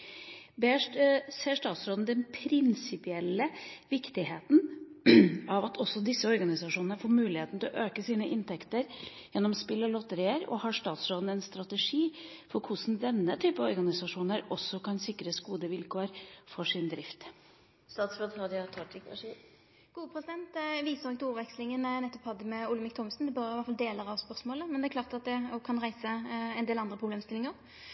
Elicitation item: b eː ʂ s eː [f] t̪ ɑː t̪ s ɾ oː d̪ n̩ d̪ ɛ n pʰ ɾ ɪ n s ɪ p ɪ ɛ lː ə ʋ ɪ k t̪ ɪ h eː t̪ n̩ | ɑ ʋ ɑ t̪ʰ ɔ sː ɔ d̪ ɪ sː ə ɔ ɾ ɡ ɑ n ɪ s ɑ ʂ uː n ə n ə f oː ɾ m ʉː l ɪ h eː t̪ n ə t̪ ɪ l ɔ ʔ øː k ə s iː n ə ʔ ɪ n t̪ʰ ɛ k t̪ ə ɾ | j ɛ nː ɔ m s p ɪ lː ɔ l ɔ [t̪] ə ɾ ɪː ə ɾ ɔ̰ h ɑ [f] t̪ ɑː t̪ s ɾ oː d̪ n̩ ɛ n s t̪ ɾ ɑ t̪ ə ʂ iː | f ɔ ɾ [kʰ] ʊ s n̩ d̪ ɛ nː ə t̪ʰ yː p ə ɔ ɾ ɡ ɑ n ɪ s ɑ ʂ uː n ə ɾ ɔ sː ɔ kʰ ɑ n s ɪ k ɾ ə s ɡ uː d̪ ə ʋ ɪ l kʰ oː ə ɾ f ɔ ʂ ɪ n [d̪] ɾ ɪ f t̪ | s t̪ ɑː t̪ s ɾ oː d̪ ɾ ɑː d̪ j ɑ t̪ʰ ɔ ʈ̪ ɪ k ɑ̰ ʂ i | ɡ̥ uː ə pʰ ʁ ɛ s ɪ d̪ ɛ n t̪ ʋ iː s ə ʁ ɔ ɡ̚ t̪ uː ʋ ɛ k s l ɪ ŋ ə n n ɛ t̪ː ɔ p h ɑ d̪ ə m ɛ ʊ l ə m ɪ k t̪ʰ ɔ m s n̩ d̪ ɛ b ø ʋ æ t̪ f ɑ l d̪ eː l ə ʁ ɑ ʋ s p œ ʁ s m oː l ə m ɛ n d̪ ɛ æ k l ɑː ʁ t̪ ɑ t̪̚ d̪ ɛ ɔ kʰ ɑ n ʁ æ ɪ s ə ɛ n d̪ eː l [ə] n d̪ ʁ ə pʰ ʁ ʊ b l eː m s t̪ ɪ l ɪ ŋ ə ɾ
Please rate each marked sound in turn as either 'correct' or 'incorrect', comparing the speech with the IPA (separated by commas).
incorrect, correct, incorrect, correct, correct, incorrect